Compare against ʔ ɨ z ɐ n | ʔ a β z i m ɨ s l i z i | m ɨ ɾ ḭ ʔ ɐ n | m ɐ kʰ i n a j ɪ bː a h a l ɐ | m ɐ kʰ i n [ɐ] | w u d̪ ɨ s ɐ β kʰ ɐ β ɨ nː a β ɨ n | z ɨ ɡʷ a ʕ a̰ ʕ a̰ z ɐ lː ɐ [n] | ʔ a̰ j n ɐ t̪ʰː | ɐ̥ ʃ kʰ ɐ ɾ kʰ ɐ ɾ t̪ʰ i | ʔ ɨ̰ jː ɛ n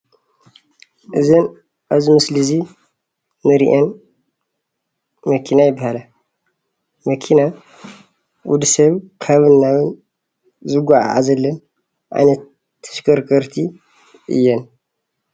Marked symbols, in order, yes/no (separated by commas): no, yes